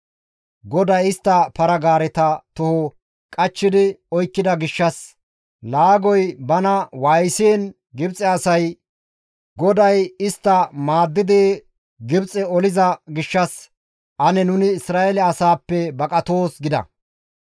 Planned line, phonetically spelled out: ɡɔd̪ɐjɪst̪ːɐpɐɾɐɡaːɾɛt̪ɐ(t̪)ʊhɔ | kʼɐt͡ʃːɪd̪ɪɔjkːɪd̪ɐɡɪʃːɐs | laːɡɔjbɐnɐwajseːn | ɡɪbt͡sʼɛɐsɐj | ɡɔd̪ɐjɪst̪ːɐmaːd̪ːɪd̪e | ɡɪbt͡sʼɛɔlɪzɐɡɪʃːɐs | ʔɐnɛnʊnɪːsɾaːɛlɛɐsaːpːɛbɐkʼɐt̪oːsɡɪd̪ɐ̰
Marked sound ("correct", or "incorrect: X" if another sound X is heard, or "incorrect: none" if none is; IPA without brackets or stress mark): correct